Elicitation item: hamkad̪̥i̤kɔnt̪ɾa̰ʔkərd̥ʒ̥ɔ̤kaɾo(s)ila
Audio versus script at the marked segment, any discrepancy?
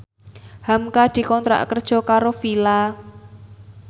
yes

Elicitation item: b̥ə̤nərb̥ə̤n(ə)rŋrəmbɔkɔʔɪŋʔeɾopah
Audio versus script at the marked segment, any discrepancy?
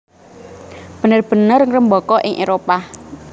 no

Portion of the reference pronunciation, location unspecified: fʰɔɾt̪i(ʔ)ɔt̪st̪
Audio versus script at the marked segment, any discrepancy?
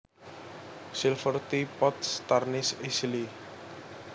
yes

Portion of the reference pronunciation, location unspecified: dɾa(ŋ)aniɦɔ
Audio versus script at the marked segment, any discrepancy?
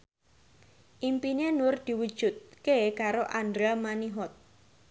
yes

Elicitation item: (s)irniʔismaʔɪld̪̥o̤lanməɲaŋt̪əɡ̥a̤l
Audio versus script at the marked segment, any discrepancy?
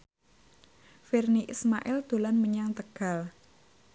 yes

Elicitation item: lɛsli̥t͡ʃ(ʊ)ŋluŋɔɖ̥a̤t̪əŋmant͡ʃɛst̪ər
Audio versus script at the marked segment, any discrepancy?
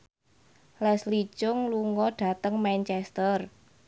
no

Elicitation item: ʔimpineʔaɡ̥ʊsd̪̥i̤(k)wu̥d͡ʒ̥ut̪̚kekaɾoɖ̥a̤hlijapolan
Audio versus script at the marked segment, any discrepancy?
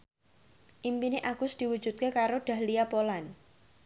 yes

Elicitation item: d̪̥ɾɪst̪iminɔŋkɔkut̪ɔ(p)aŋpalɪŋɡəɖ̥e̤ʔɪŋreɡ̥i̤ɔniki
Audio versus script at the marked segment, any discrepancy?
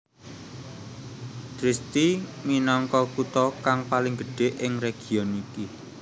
yes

